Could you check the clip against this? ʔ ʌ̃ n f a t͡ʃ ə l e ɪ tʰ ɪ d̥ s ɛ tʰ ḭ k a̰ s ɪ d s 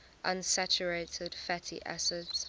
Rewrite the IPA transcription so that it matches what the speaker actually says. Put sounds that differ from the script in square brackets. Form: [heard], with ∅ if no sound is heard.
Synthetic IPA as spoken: ʔ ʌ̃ n [s] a t͡ʃ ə [ɹ] e ɪ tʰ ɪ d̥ [f] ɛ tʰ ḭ [ʔ] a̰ s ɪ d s